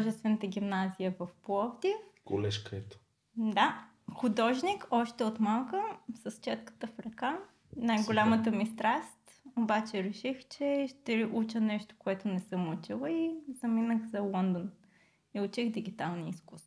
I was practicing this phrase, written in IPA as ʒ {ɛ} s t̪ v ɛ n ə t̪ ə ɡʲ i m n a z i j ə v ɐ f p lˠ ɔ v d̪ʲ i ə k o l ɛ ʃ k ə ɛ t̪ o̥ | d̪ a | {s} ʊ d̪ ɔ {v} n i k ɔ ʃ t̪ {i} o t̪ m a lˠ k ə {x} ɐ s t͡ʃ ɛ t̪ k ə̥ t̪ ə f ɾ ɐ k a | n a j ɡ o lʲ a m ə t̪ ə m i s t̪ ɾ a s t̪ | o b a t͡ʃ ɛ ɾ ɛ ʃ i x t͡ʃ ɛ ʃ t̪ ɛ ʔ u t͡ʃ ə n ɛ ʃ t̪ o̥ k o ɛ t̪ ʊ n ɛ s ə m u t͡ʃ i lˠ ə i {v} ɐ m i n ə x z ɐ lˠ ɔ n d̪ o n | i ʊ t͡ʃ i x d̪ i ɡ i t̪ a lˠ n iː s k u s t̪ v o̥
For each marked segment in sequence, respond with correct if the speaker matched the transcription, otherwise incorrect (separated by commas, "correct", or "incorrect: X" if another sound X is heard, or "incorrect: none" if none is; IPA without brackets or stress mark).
correct, incorrect: x, incorrect: ʒ, incorrect: ɛ, incorrect: s, incorrect: z